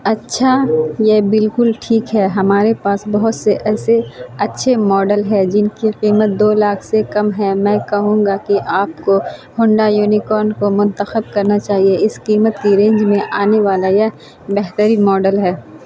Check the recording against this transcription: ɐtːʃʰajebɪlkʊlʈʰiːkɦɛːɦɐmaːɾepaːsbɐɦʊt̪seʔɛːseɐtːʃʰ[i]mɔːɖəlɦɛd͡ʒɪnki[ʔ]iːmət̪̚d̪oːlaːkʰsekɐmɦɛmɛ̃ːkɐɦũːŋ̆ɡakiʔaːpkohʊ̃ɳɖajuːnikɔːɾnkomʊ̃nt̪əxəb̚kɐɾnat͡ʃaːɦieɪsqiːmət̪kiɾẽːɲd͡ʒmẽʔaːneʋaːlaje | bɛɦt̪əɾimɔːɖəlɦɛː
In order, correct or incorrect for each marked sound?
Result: incorrect, incorrect

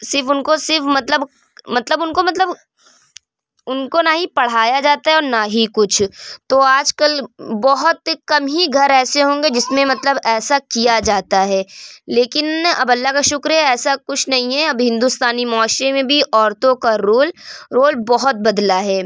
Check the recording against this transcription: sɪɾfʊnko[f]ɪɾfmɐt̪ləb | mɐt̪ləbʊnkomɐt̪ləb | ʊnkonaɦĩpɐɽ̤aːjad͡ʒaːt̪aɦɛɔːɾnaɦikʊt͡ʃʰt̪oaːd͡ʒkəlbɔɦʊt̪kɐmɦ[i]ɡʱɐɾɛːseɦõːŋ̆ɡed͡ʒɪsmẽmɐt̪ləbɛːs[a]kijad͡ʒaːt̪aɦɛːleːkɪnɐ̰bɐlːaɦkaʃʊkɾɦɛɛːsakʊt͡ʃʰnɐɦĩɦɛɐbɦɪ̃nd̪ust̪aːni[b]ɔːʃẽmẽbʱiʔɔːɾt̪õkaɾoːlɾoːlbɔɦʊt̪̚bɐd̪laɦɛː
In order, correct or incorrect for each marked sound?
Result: incorrect, correct, correct, incorrect

